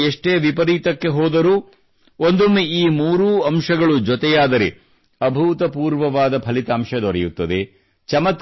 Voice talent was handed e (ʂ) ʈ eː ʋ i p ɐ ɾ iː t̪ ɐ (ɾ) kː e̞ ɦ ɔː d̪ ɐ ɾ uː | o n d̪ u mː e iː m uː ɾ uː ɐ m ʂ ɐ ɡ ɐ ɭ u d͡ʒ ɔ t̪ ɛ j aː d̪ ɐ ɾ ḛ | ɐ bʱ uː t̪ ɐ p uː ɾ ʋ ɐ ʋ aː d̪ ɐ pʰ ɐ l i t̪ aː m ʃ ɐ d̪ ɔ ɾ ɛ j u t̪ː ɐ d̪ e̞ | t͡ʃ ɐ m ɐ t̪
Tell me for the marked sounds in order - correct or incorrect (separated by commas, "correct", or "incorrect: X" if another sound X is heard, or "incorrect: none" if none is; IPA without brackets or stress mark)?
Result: correct, incorrect: none